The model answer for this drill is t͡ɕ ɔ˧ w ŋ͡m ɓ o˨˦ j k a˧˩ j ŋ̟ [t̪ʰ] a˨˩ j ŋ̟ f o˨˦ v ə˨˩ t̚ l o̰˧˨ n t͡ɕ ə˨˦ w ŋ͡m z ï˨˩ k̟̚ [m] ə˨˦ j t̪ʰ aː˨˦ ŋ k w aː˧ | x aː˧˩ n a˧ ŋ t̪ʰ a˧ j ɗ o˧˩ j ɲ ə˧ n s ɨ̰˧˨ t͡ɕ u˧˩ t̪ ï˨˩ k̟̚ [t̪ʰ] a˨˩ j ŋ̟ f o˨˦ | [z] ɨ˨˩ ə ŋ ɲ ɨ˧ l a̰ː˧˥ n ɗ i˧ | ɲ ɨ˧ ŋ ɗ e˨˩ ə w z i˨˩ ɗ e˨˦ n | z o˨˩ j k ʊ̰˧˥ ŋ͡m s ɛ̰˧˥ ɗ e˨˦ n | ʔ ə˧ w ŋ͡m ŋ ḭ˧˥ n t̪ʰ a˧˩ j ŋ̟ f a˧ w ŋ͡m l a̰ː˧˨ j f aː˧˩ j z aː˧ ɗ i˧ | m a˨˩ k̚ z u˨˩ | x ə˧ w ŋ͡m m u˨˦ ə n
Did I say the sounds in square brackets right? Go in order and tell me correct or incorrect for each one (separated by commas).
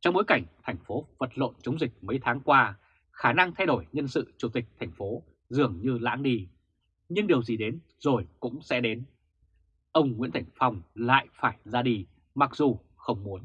correct, correct, correct, correct